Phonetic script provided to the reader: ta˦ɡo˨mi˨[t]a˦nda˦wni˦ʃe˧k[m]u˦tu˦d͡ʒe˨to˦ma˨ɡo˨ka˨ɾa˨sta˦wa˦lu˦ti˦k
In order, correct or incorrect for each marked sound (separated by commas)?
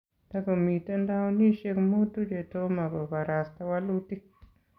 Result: correct, correct